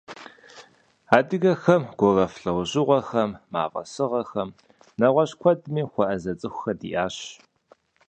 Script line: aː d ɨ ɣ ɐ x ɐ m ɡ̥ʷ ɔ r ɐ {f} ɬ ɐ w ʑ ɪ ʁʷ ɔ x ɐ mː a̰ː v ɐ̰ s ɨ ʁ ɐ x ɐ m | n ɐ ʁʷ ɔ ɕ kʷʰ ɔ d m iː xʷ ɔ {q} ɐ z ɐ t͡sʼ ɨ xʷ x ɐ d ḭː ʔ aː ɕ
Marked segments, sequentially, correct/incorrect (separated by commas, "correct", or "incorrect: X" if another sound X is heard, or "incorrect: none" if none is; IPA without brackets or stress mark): correct, incorrect: ʔ